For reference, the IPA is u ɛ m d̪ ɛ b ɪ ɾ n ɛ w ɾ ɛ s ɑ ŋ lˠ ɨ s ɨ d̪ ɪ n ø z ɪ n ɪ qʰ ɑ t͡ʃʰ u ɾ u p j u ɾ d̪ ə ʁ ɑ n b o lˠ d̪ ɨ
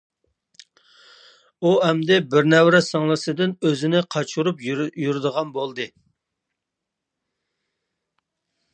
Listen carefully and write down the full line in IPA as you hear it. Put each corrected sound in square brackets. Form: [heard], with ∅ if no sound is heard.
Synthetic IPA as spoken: u ɛ m d̪ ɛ b ɪ ɾ n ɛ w ɾ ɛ s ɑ ŋ lˠ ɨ s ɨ d̪ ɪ n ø z ɪ n ɪ qʰ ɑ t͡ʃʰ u ɾ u p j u ɾ d̪ ə ʁ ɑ n b o lˠ d̪ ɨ